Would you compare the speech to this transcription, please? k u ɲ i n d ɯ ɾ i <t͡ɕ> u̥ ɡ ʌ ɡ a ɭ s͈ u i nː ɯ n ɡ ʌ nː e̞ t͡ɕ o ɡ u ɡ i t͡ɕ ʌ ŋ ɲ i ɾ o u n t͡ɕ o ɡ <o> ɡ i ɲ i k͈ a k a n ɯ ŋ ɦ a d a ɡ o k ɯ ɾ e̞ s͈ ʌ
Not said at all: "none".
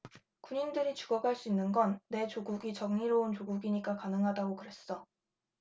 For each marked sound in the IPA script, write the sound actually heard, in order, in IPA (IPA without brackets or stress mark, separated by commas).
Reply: t͡ɕ, u